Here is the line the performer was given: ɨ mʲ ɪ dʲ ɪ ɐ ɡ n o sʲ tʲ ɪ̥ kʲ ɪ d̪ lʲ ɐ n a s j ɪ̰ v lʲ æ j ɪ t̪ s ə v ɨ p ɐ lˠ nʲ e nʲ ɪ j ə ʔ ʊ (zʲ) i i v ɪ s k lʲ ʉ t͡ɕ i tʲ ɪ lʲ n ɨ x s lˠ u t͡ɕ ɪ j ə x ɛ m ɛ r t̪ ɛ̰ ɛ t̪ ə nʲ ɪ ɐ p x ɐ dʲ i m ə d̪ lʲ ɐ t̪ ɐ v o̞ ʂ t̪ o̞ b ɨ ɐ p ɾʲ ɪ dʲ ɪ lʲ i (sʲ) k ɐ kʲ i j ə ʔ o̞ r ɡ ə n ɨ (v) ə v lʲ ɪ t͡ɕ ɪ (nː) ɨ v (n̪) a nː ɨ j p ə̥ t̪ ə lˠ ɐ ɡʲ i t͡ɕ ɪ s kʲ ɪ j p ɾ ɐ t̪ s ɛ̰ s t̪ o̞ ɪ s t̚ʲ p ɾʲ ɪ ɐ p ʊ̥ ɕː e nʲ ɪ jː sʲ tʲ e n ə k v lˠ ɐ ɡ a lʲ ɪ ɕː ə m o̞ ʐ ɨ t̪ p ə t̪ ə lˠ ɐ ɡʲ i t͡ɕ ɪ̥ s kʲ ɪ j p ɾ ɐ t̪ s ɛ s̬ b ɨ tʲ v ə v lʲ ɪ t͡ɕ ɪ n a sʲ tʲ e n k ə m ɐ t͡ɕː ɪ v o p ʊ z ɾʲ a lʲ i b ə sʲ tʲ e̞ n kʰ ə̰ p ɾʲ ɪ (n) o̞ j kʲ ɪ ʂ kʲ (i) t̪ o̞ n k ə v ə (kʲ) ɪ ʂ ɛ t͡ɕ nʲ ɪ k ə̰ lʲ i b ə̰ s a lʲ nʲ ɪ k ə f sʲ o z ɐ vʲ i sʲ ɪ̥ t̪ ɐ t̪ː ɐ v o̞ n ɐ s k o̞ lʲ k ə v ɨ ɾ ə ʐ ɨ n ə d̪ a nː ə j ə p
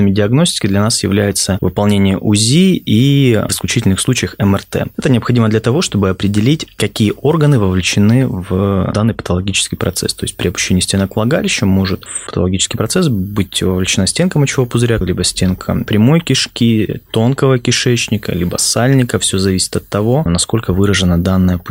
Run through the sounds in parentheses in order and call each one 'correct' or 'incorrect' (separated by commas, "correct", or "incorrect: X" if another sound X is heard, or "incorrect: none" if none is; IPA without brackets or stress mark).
correct, incorrect: tʲ, correct, incorrect: n, incorrect: d̪, incorrect: m, correct, correct